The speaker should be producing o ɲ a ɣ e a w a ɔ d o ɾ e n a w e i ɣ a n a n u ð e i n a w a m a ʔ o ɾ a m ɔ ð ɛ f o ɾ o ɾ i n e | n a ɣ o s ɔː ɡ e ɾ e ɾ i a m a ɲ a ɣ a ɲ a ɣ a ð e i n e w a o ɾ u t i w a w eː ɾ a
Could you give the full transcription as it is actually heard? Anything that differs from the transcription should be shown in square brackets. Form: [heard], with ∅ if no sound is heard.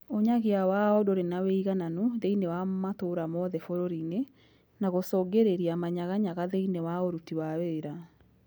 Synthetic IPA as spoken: o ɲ a ɣ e a w a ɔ d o ɾ e n a w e i ɣ a n a n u ð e i n [e] w a m a [t] o ɾ a m ɔ ð ɛ f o ɾ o ɾ i n e | n a ɣ o s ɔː ɡ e ɾ e ɾ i a m a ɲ a ɣ a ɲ a ɣ a ð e i n e w a o ɾ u t i w a w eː ɾ a